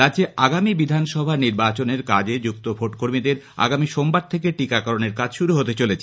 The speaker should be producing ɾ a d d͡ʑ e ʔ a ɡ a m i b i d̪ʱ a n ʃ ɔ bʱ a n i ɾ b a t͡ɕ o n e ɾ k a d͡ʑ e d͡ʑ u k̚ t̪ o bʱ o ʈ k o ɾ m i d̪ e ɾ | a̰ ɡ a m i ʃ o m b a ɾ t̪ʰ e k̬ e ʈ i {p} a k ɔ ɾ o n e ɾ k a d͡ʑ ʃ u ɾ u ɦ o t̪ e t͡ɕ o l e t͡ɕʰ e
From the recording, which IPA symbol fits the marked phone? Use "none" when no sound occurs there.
k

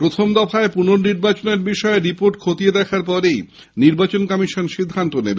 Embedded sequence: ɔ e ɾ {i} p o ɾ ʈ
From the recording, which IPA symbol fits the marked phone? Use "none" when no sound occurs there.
i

